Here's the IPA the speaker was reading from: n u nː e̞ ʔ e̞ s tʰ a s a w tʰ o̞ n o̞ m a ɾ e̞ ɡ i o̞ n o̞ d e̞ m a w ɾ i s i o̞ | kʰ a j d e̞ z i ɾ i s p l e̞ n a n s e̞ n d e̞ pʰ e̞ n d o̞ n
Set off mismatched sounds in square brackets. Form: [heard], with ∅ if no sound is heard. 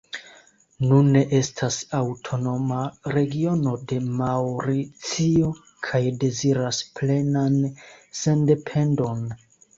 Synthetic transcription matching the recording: n u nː e̞ ʔ e̞ s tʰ a s a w tʰ o̞ n o̞ m a ɾ e̞ ɡ i o̞ n o̞ d e̞ m a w ɾ i [t͡s] i o̞ | kʰ a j d e̞ z i ɾ [a] s p l e̞ n a n s e̞ n d e̞ pʰ e̞ n d o̞ n